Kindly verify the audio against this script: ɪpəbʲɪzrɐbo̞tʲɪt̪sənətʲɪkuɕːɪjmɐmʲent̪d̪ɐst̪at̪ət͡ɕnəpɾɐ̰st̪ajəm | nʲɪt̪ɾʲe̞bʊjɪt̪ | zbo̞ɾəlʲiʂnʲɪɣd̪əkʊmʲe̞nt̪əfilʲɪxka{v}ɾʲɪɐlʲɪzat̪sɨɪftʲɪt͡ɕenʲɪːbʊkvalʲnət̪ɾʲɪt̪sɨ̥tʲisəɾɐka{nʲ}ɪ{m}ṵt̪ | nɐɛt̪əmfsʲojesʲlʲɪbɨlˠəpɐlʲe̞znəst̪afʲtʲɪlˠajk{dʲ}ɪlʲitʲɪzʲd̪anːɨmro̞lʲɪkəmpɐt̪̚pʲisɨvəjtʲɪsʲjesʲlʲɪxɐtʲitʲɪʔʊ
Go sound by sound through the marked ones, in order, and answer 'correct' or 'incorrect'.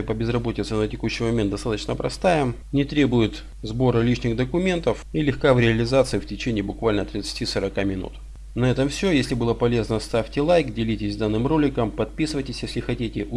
correct, incorrect: mʲ, incorrect: n, correct

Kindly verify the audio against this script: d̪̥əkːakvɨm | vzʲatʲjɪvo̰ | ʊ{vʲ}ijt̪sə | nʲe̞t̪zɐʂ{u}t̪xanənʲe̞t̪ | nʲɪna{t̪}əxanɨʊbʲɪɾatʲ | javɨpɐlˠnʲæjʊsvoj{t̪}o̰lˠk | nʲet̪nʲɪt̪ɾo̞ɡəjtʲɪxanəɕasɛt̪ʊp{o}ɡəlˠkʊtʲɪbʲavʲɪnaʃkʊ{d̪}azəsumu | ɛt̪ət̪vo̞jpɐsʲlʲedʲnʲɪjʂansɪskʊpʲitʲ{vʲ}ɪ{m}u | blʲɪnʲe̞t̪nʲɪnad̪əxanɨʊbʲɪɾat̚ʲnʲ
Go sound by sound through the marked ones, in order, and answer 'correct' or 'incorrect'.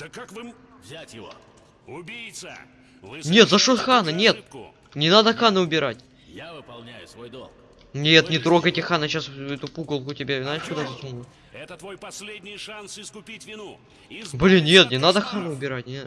incorrect: bʲ, incorrect: o, incorrect: d̪, incorrect: d̪, incorrect: u, correct, correct, incorrect: n

